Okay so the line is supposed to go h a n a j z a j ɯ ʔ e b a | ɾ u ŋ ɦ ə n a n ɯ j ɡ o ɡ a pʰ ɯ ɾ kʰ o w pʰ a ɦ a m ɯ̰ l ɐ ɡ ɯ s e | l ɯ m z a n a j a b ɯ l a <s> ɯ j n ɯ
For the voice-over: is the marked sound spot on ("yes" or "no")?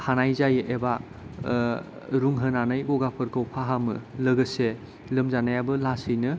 yes